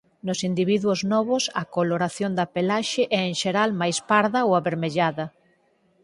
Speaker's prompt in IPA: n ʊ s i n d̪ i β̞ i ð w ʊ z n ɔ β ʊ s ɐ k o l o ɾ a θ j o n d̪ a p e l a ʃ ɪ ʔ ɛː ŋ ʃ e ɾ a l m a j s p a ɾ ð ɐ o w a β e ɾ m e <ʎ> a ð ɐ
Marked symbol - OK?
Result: yes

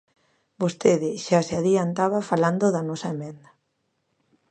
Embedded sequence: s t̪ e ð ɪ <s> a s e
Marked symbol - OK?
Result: no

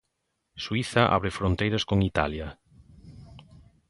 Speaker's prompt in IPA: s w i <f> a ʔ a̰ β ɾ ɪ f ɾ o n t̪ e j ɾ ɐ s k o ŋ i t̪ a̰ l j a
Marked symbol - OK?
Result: no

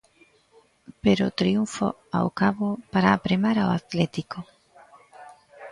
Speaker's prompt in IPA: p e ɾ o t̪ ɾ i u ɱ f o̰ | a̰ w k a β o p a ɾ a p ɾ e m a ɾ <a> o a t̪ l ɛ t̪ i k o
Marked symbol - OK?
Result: yes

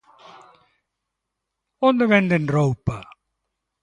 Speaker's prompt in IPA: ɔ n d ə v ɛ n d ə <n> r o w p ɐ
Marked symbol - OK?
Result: yes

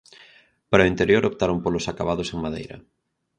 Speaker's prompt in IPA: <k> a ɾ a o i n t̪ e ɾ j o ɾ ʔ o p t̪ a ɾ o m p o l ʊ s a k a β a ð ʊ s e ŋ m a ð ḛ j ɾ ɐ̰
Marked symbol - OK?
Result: no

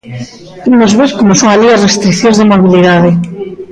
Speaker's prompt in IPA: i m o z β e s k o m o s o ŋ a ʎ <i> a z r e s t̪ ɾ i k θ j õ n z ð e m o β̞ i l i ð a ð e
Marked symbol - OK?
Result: yes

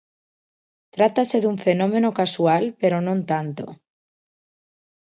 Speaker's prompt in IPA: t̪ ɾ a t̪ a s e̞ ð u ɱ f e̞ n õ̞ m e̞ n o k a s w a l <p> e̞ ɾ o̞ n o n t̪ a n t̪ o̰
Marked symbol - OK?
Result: yes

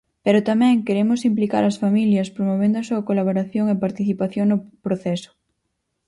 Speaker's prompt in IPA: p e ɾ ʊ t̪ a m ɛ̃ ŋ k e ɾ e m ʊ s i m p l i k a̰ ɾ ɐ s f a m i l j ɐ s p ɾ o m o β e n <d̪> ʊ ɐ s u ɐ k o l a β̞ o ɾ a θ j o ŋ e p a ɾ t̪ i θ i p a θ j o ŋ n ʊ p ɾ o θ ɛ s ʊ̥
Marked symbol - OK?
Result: yes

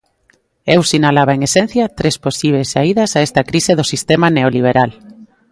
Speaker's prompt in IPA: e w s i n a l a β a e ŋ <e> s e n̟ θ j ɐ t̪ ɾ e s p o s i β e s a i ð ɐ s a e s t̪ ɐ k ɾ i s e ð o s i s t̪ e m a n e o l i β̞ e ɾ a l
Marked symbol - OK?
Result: yes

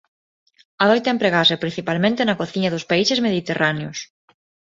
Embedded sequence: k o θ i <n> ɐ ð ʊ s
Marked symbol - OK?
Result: no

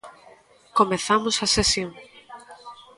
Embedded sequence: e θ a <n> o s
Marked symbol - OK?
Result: no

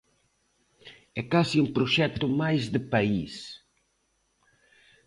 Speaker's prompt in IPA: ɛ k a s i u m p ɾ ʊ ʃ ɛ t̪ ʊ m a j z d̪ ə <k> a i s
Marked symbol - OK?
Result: no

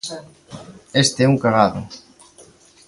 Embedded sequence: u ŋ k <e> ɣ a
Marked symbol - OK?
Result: no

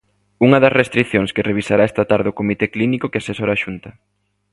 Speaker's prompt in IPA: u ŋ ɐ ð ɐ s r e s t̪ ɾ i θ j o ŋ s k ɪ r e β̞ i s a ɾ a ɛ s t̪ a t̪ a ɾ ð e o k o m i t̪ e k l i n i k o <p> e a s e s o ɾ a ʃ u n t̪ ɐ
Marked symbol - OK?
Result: no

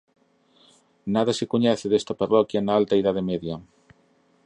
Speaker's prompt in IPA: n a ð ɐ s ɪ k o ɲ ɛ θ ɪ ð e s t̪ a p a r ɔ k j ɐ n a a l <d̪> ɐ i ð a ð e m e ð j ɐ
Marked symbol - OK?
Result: no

